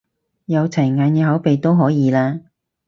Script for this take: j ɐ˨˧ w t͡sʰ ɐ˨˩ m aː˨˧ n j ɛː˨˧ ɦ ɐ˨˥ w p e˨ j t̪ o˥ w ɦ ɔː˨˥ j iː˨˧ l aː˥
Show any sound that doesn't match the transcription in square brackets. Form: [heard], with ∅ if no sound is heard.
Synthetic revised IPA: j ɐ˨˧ w t͡sʰ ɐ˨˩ [ŋ] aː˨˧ n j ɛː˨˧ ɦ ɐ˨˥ w p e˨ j t̪ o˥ w ɦ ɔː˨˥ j iː˨˧ l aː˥